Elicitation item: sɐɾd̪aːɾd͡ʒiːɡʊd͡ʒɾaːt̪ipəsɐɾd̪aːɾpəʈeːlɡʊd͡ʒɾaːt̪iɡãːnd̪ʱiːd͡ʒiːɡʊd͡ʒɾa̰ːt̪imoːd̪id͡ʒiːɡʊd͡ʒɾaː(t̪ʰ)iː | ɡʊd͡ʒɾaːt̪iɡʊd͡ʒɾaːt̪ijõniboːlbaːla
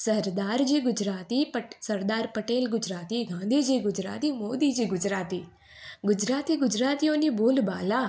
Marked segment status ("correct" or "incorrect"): incorrect